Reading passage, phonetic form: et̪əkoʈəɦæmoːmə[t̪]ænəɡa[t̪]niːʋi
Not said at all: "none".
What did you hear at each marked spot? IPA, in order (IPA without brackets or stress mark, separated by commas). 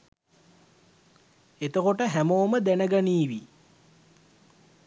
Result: d̪, none